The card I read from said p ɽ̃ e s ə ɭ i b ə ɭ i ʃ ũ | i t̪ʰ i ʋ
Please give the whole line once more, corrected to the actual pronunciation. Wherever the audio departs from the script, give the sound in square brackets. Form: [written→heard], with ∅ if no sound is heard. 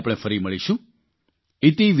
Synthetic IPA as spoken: p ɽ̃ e [s→f] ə [ɭ→ɾ] i [b→m] ə ɭ i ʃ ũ | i [t̪ʰ→t̪] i ʋ